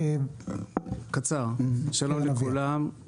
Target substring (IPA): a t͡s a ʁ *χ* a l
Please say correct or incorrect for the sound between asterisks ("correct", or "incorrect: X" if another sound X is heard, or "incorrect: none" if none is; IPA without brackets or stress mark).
incorrect: ʃ